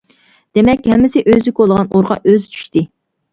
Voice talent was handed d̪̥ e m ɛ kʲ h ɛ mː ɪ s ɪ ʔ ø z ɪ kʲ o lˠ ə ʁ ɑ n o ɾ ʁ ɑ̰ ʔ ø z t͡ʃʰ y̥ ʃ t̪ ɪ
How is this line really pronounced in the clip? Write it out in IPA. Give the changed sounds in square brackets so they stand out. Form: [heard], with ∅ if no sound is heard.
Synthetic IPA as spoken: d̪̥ e m ɛ kʲ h ɛ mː ɪ s ɪ ʔ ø z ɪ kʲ o lˠ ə ʁ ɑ n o ɾ ʁ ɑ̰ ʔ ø z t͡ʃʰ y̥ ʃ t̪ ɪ